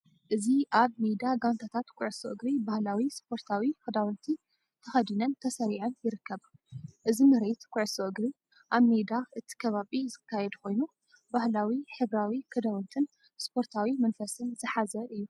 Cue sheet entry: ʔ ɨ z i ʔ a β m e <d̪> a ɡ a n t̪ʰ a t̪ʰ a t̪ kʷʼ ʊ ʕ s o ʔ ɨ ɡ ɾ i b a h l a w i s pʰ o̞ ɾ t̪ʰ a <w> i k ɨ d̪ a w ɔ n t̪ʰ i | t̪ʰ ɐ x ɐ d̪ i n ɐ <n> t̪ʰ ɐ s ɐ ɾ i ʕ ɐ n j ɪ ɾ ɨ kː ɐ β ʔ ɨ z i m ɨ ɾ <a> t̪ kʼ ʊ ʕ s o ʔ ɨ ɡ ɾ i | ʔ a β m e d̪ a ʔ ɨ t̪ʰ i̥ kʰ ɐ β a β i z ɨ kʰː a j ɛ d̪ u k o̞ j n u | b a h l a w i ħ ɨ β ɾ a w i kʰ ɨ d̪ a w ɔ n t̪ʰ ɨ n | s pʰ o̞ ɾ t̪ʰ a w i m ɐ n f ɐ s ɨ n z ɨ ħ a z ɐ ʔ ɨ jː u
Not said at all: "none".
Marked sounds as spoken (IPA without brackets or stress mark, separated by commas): d̪, w, n, e